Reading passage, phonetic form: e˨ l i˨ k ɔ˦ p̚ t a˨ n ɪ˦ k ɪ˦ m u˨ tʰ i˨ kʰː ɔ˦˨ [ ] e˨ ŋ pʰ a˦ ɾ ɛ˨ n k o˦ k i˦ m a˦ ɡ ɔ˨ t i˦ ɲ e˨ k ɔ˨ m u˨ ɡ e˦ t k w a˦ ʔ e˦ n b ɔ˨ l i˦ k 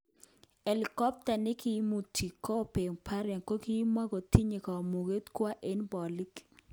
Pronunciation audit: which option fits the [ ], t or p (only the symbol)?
p